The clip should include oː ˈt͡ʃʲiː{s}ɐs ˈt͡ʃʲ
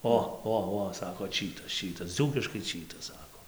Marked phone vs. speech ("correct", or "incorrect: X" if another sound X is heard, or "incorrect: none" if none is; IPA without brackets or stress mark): incorrect: t